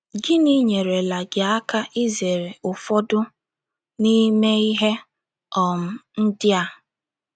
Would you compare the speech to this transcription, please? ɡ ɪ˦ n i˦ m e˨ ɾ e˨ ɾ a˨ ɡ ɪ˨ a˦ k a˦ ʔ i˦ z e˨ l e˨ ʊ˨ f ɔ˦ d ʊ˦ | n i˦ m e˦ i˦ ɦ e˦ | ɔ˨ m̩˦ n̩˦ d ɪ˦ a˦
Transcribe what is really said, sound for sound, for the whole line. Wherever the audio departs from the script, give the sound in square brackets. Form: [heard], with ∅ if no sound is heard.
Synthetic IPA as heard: ɡ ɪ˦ n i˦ [ɲ] e˨ ɾ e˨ [l] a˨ ɡ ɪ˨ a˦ k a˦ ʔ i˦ z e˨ [ɾ] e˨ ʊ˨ f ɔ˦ d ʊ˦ | n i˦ m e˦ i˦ ɦ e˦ | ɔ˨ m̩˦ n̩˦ d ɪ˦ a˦

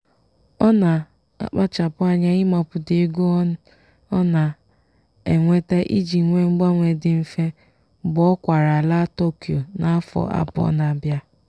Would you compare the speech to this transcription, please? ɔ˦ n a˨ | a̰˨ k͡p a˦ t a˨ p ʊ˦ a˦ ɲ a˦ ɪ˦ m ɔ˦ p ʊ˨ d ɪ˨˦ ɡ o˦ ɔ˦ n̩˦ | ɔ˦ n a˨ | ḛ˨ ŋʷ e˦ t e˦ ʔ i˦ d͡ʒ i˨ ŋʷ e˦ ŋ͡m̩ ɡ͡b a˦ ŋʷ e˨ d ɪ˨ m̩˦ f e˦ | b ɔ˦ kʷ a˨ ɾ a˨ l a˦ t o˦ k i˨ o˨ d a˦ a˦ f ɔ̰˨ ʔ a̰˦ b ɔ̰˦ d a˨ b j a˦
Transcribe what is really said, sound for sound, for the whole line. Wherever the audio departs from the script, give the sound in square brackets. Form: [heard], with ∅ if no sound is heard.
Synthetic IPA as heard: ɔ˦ n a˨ | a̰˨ k͡p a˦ [t͡ʃ] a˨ p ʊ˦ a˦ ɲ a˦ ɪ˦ m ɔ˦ p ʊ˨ d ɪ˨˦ ɡ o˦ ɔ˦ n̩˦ | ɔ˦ n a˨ | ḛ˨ ŋʷ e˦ t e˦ ʔ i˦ d͡ʒ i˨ ŋʷ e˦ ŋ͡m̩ ɡ͡b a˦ ŋʷ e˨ d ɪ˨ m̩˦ f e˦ | b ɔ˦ kʷ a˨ ɾ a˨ l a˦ t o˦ k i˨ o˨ [n] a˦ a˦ f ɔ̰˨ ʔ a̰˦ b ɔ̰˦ [n] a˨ b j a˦

